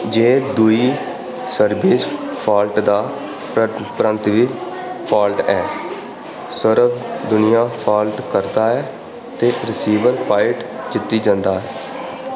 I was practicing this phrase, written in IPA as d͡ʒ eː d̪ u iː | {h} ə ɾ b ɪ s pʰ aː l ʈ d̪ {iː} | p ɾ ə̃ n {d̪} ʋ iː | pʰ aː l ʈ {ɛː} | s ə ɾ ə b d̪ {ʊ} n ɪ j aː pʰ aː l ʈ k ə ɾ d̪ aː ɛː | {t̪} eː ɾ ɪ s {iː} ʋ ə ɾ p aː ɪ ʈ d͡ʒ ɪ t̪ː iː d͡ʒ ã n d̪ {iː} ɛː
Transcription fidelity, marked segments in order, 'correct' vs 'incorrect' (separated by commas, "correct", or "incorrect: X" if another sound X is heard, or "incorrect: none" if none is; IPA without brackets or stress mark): incorrect: s, incorrect: aː, incorrect: t̪, correct, correct, correct, correct, incorrect: aː